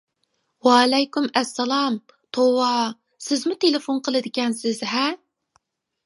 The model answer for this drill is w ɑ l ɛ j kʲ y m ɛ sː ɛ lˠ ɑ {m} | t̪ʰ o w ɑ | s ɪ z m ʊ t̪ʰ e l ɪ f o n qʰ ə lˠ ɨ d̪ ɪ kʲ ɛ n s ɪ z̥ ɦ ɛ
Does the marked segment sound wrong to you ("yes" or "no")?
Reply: no